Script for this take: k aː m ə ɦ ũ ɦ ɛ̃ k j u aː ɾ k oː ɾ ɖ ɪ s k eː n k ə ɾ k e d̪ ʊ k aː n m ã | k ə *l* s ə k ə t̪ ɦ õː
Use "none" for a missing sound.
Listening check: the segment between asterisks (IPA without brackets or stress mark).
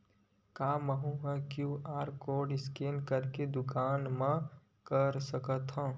ɾ